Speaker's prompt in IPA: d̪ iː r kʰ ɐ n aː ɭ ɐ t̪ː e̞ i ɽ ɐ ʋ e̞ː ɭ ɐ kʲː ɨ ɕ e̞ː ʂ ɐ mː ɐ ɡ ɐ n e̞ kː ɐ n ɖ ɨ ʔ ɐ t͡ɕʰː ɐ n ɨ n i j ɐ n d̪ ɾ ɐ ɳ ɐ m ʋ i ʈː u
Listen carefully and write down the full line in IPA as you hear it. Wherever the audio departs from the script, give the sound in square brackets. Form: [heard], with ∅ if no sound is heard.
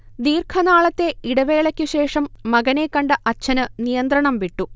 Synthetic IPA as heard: d̪ iː r kʰ ɐ n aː ɭ ɐ t̪ː e̞ i ɽ ɐ ʋ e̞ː ɭ ɐ kʲː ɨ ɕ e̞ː ʂ ɐ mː ɐ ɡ ɐ n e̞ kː ɐ [ɳ] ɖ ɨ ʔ ɐ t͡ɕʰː ɐ n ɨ n i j ɐ n d̪ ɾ ɐ ɳ ɐ m ʋ i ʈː u